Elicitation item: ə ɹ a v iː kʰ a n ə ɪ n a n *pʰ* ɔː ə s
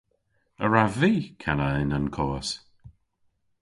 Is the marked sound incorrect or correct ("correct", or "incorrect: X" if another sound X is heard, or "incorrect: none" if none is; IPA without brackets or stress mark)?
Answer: incorrect: kʰ